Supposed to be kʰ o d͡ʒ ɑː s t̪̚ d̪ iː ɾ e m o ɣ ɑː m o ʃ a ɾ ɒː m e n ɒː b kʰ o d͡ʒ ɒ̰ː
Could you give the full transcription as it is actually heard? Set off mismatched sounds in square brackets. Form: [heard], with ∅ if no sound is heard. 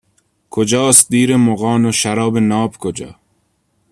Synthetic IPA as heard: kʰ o d͡ʒ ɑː s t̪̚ d̪ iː ɾ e m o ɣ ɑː [n] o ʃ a ɾ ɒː [b] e n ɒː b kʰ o d͡ʒ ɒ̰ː